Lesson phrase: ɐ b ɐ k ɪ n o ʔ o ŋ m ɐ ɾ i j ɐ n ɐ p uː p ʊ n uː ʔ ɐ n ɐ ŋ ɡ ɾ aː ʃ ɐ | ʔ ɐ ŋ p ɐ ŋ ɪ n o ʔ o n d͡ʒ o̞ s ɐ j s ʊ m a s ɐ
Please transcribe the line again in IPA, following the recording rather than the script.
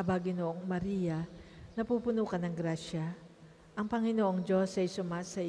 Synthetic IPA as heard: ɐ b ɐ ɡ ɪ n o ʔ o ŋ m ɐ ɾ i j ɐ n ɐ p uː p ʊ n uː k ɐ n ɐ ŋ ɡ ɾ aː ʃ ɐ | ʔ ɐ ŋ p ɐ ŋ ɪ n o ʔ o ŋ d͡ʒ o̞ s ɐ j s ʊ m a s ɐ